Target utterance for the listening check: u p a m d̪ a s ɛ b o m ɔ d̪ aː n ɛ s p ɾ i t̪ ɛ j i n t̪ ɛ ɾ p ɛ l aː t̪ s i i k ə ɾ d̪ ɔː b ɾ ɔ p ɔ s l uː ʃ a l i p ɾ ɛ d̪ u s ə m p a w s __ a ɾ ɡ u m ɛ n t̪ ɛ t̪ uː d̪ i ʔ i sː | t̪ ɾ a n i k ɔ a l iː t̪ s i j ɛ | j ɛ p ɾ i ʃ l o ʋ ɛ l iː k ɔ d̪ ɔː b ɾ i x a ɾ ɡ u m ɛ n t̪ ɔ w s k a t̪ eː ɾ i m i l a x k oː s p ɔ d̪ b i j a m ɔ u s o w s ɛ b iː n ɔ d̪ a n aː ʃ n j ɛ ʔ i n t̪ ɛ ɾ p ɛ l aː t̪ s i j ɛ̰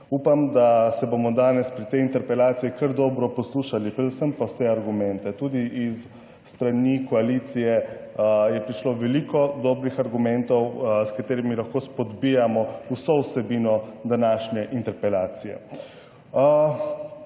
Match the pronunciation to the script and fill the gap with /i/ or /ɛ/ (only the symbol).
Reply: ɛ